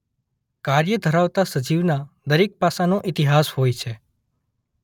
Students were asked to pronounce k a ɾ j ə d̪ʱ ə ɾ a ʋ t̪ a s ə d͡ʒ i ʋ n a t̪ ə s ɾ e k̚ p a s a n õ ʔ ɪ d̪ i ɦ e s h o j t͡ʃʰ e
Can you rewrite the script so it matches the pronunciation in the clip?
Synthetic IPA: k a ɾ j ə d̪ʱ ə ɾ a ʋ t̪ a s ə d͡ʒ i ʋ n a d̪ ə ɾ e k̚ p a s a n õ ʔ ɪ t̪ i ɦ a s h o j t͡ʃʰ e